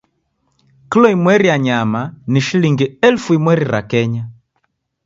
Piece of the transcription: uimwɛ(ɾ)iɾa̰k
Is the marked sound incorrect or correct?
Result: correct